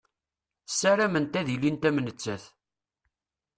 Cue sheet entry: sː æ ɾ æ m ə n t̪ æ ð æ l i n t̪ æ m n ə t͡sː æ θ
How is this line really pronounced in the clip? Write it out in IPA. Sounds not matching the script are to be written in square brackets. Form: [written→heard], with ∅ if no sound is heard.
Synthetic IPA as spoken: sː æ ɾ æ m ə n t̪ æ ð [æ→i] l i n t̪ æ m n ə t͡sː æ θ